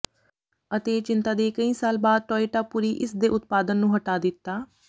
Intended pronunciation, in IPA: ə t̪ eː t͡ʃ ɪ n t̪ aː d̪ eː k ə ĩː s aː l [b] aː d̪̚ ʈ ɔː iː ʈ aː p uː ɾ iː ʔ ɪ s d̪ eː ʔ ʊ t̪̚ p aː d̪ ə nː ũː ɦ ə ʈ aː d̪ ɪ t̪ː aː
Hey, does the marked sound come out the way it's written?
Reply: yes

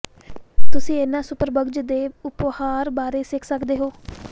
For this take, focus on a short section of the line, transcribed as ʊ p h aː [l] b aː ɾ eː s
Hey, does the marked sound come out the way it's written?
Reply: no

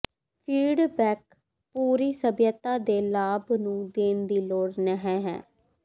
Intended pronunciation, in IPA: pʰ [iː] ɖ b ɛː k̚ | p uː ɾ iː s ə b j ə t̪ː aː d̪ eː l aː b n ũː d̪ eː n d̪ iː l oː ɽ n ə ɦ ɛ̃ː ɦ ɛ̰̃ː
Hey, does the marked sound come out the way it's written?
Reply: yes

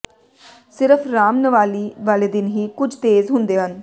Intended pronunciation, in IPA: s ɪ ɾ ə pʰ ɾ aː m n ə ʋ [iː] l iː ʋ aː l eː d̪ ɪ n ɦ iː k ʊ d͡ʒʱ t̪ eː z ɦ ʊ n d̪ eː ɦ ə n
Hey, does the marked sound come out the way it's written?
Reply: no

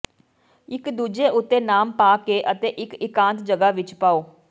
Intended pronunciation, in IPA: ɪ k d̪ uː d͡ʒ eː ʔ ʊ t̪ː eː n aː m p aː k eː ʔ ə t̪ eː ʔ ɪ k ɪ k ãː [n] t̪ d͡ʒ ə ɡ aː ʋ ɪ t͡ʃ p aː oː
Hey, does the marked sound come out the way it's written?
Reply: yes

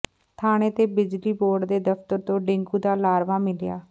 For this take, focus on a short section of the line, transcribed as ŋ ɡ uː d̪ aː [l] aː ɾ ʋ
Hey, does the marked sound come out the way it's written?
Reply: yes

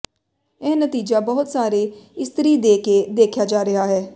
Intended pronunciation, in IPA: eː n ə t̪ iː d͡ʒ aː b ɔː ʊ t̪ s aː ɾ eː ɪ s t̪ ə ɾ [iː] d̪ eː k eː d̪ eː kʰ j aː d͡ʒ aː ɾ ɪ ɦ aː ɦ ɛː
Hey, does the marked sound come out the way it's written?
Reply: yes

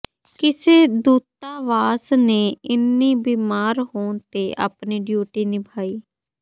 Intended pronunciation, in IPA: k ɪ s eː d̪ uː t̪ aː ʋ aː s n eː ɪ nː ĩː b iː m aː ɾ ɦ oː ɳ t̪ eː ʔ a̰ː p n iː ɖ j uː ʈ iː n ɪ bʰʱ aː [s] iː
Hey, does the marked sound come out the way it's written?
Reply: no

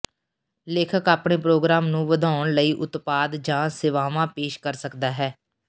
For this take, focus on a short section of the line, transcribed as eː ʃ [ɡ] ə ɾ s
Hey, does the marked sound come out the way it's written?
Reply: no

